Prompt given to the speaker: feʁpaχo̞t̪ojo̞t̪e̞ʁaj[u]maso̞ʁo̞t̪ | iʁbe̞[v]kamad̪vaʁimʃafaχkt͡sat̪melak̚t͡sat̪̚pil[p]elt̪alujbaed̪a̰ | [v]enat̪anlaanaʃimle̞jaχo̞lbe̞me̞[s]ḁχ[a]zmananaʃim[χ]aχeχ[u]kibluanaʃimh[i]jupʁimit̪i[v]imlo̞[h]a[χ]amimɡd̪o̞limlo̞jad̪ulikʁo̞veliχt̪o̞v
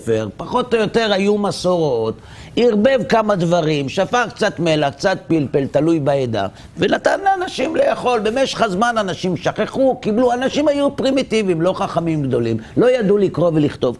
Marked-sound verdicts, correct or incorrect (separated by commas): correct, correct, correct, correct, incorrect, correct, incorrect, correct, incorrect, correct, incorrect, correct